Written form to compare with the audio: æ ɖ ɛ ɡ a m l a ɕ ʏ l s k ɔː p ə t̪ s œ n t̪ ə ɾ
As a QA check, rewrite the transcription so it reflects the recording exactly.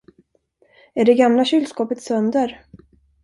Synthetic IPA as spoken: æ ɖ ɛ ɡ a m l a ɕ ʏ l s k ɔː p ə t̪ s œ n d̪ ə ɾ

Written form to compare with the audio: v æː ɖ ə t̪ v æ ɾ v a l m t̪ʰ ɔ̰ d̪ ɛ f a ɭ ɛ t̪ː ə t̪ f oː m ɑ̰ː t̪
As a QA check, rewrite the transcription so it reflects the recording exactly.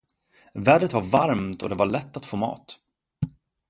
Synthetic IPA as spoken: v æː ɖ ə t̪ v a ɾ v a ɾ m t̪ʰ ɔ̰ d̪ ɛ v a ɭ ɛ t̪ː a t̪ f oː m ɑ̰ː t̪

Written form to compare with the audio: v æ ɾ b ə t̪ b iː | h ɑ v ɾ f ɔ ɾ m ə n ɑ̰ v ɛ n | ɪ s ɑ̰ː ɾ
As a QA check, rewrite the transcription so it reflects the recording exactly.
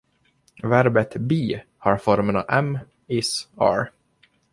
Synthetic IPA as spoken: v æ ɾ b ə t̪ b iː | h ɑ ɾ f ɔ ɾ m ə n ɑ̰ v ɛ m | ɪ s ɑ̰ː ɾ

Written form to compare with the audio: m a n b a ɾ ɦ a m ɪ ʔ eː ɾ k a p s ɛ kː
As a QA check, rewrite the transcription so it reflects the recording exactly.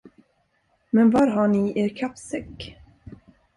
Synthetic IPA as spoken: m ɛ n v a ɾ ɦ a ɳ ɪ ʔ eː ɾ kʰ a p s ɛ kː

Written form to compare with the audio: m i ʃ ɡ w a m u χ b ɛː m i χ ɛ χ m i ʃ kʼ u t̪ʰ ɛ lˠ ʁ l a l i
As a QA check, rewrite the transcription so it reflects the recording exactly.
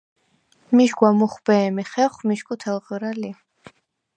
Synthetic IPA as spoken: m i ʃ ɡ w a m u χ b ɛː m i χ ɛ χ m i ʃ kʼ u t̪ʰ ɛ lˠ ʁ ɾ a l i

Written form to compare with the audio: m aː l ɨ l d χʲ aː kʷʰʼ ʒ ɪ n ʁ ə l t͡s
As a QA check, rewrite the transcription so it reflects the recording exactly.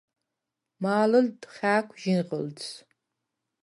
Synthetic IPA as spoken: m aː l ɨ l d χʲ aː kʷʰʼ ʒ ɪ n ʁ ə l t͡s

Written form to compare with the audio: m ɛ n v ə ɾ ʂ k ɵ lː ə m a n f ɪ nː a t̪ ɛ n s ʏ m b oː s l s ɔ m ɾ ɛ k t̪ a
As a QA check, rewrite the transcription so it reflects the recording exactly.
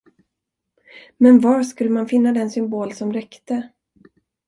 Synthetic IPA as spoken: m ɛ n v a ɾ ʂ k ɵ lː ə m a n f ɪ nː a d̪ ɛ n s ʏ m b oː l s ɔ m ɾ ɛ k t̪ ə

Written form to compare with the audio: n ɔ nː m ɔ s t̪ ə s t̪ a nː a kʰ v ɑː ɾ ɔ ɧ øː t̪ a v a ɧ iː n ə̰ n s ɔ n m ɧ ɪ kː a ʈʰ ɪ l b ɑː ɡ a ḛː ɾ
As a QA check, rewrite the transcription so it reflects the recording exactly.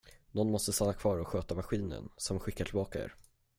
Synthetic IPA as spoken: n ɔ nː m ɔ s t̪ ə s t̪ a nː a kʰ v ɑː ɾ ɔ ɧ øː t̪ a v a ɧ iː n ə̰ n s ɔ m ɧ ɪ kː a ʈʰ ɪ l b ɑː k a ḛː ɾ

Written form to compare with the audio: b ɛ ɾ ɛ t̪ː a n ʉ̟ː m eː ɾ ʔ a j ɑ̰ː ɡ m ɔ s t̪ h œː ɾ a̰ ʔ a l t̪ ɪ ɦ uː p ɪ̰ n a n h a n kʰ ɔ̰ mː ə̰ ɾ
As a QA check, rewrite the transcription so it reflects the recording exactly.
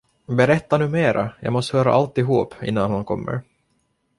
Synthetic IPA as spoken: b ɛ ɾ ɛ t̪ː a n ʉ̟ː m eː ɾ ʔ a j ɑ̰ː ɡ m ɔ s t̪ h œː ɾ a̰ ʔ a l t̪ ɪ ɦ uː p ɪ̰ nː a n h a n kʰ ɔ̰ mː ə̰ ɾ

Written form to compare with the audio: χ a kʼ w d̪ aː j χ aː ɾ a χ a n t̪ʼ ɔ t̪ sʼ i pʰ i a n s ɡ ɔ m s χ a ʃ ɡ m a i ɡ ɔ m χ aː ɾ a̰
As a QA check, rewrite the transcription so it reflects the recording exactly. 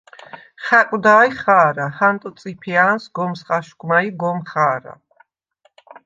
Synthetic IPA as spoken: χ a kʼ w d̪ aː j χ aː ɾ a h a n t̪ʼ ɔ t̪ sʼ i pʰ i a n s ɡ ɔ m s χ a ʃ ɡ m a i ɡ ɔ m χ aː ɾ a̰

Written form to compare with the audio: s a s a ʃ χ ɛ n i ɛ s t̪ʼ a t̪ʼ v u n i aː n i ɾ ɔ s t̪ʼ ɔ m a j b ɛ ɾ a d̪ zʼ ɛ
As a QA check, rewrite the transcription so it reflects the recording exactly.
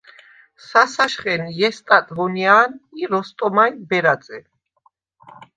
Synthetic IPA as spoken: s a s a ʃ χ ɛ n j ɛ s t̪ʼ a t̪ʼ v ɔ n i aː n i ɾ ɔ s t̪ʼ ɔ m a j b ɛ ɾ a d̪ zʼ ɛ

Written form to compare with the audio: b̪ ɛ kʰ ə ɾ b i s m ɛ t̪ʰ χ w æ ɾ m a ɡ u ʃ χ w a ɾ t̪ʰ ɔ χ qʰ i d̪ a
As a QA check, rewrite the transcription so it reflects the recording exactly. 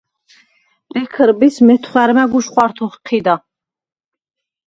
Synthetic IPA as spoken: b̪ ɛ kʰ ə ɾ b i s m ɛ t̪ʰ χ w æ ɾ m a ɡ u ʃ χ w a ɾ t̪ʰ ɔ χ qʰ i d̪ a

